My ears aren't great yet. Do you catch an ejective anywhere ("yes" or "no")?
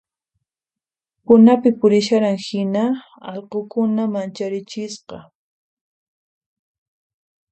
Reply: no